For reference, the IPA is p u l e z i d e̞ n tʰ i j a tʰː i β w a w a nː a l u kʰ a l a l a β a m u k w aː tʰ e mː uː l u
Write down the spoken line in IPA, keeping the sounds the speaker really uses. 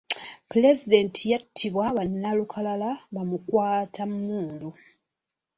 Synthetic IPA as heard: p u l e z i d e̞ n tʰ i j a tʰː i β w a β a nː a l u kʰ a l a l a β a m u k w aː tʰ a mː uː l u